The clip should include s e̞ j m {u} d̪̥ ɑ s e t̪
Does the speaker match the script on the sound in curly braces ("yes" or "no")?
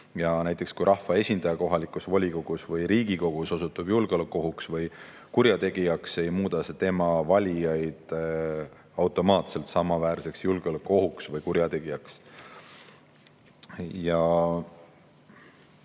no